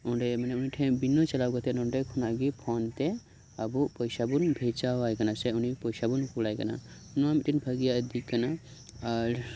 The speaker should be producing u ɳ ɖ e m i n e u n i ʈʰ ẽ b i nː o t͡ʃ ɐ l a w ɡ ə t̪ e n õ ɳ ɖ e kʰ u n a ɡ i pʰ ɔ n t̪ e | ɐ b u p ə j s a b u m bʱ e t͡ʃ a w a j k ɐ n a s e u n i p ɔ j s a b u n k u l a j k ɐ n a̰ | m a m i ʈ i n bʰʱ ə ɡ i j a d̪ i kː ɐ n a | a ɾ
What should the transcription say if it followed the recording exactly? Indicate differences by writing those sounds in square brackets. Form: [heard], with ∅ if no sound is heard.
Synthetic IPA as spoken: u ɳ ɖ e m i n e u n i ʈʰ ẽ b i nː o t͡ʃ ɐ l a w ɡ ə t̪ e n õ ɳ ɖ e kʰ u n a ɡ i pʰ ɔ n t̪ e | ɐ b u p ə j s a b u [n] bʱ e t͡ʃ a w a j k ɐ n a s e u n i p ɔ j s a b u n k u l a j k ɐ n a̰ | [n] a m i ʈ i n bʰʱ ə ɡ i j a d̪ i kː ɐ n a | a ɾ